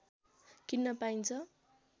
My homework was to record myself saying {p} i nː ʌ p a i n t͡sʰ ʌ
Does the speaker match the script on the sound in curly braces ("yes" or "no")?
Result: no